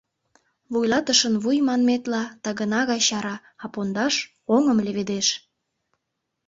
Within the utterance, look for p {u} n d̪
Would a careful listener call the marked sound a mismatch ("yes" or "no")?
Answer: yes